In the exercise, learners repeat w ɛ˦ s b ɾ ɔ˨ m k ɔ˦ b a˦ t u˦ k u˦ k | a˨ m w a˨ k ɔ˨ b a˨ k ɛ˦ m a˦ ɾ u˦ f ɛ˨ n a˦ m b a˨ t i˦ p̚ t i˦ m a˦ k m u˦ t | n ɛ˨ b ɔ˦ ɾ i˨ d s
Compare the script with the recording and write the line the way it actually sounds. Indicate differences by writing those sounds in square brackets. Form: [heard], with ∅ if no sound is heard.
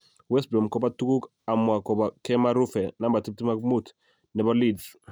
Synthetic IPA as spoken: w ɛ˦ s b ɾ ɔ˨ m k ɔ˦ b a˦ t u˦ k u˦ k | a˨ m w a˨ k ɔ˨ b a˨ k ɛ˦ m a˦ ɾ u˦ f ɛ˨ n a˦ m b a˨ t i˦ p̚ t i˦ m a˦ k m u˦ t | n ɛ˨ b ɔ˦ [l] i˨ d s